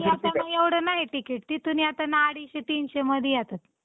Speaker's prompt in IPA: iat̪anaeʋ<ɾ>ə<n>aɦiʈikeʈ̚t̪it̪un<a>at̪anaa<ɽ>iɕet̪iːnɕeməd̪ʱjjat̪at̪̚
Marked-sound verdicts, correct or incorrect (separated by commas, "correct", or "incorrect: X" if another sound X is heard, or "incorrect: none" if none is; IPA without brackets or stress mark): incorrect: ɽ, correct, incorrect: i, correct